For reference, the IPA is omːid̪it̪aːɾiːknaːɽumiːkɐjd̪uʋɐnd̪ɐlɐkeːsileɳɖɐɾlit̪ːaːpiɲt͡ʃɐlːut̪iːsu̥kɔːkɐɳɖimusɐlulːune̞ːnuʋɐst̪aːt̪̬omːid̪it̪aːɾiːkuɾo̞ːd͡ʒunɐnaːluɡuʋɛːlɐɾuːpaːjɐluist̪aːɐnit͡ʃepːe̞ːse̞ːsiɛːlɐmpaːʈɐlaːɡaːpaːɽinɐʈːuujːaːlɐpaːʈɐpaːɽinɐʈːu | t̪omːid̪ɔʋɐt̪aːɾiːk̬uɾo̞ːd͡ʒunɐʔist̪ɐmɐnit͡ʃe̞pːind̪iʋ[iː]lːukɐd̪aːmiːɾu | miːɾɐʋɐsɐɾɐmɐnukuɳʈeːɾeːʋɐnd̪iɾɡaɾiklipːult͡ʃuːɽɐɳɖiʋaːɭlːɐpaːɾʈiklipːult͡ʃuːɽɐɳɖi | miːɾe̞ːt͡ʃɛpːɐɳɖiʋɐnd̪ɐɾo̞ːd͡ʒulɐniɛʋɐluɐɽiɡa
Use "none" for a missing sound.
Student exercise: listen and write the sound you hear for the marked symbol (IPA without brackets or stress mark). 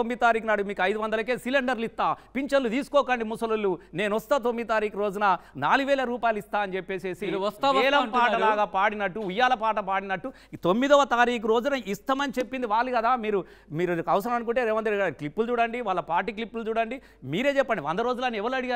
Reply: aː